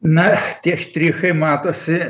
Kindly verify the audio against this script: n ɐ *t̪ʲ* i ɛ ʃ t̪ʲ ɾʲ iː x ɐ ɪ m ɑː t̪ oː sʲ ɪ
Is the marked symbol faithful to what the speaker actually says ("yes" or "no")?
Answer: yes